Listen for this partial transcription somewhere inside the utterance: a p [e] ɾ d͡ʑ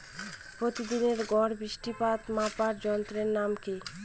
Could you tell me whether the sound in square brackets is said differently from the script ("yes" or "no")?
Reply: yes